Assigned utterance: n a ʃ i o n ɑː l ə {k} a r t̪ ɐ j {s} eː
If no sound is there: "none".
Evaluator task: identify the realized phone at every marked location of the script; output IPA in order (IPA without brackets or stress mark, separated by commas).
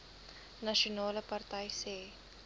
p, s